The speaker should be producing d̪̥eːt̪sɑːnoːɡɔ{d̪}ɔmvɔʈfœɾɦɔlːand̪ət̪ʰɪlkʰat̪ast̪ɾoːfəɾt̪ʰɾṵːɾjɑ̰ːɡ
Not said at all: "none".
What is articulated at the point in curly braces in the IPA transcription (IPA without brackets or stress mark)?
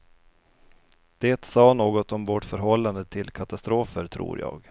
t̪